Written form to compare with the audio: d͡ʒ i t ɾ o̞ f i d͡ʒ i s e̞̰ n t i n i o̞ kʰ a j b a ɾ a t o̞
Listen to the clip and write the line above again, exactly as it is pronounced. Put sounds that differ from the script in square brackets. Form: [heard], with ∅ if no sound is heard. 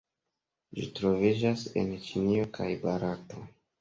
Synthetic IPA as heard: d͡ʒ i t ɾ o̞ [v] i d͡ʒ [a] s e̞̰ n [t͡ʃ] i n i o̞ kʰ a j b a ɾ a t o̞